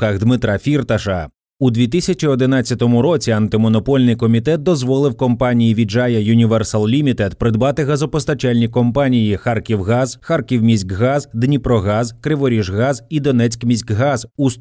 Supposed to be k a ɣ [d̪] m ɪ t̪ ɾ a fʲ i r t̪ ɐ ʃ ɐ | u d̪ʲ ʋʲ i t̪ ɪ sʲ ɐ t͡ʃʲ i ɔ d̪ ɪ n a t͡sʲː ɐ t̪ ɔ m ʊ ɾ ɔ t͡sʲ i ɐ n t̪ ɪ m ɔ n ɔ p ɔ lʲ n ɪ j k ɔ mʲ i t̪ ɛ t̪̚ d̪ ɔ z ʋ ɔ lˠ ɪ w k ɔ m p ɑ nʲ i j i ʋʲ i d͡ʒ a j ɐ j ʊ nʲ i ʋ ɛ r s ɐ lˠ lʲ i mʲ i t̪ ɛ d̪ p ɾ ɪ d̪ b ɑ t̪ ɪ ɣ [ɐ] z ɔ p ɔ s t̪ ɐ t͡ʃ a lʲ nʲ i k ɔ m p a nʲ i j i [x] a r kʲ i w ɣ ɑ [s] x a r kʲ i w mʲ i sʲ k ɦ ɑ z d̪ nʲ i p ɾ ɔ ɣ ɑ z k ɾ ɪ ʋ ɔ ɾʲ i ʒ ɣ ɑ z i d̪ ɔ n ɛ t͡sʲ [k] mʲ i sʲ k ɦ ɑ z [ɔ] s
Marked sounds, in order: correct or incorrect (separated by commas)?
correct, correct, correct, incorrect, correct, incorrect